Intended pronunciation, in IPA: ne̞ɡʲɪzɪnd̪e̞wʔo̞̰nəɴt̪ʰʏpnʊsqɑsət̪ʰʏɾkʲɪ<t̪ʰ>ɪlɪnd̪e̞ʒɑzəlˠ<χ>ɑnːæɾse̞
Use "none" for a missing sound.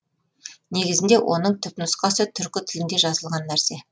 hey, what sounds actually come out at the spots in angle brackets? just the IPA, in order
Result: t̪ʰ, ʁ

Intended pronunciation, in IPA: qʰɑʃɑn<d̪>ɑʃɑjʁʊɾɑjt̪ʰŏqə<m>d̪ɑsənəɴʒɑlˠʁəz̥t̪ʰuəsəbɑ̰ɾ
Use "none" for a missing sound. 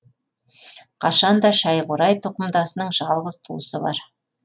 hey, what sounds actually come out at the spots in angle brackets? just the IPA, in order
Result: d̪, m

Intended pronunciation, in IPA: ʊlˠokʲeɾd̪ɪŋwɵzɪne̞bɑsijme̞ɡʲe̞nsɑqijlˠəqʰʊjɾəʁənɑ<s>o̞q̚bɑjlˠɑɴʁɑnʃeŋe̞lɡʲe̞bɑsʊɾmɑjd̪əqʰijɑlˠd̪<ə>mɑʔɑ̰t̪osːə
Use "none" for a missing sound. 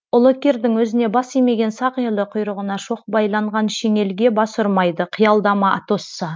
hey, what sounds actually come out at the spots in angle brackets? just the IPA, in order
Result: ʃ, ɑ

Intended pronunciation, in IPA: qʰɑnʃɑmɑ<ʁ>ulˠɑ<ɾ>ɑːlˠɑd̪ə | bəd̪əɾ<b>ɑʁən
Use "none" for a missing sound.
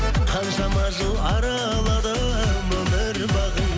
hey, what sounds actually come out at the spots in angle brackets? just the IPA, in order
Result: ʒ, ɾ, b

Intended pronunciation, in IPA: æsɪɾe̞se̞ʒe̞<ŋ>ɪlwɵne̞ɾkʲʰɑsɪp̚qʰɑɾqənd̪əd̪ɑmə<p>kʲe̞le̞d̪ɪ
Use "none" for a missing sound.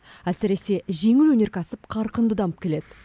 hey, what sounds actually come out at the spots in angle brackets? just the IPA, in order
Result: ŋ, p

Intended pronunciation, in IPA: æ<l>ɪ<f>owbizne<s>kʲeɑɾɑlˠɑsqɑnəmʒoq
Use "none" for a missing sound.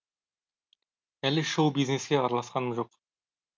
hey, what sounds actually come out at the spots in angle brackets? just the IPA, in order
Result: l, ʃ, s

